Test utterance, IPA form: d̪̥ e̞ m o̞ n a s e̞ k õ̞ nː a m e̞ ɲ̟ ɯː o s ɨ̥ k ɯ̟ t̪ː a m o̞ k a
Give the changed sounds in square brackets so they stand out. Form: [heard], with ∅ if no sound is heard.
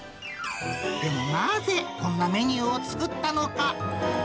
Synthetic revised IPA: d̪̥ e̞ m o̞ n a [z] e̞ k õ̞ nː a m e̞ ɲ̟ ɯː o [t͡s] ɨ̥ k ɯ̟ t̪ː a [n] o̞ k a